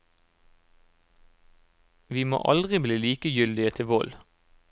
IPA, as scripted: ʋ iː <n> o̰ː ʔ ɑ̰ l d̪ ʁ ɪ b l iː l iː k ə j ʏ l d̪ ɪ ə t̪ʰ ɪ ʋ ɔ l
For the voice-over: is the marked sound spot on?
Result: no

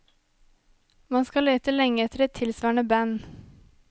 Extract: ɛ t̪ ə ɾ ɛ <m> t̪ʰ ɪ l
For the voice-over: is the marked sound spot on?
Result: no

